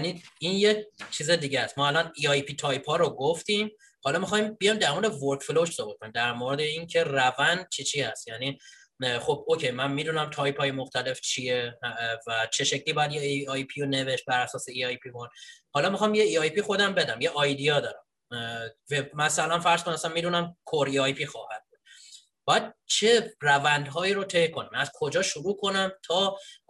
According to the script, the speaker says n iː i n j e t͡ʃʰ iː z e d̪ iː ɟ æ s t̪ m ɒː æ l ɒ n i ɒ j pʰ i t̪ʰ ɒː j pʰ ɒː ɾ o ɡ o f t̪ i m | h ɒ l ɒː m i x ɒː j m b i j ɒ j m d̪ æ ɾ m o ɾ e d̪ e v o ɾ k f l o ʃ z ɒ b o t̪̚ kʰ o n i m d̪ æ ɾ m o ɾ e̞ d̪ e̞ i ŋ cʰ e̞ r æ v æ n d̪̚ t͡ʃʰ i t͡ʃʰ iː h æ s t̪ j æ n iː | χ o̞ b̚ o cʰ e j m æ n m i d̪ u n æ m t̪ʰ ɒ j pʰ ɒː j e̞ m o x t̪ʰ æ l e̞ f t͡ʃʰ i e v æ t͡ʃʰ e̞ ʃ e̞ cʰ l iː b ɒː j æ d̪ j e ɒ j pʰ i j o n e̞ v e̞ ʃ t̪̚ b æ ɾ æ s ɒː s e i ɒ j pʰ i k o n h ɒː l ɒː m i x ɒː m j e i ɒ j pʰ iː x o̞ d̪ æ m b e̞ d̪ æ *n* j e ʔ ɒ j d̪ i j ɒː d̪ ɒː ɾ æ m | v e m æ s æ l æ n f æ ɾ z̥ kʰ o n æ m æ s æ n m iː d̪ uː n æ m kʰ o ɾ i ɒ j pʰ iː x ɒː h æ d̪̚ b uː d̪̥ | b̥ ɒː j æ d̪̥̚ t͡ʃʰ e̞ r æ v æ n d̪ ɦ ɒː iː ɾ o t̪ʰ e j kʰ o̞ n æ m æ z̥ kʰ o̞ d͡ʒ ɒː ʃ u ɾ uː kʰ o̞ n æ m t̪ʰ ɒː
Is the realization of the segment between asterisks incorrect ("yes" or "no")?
yes